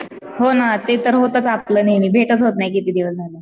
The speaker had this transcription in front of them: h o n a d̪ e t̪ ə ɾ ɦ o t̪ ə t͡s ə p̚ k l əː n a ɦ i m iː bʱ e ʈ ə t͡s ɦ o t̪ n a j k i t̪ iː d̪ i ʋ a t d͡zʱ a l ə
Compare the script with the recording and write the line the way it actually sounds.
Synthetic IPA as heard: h o n a t̪ e t̪ ə ɾ ɦ o t̪ ə t͡s a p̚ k l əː n a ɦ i m iː bʱ e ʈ ə t͡s ɦ o t̪ n a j k i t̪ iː d̪ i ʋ ə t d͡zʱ a l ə